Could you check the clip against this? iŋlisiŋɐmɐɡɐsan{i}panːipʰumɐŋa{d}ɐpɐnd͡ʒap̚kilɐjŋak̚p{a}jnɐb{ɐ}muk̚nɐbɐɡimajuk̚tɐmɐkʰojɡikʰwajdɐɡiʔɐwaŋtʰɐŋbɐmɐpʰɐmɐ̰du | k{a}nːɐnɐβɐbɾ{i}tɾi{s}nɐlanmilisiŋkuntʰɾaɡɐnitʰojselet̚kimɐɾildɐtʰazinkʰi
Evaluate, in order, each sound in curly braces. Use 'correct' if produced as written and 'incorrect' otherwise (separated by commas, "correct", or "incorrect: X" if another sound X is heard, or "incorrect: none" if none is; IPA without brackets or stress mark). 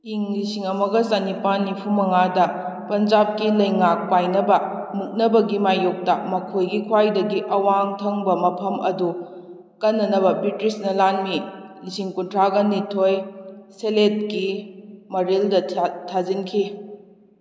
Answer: correct, correct, correct, correct, incorrect: ɐ, correct, correct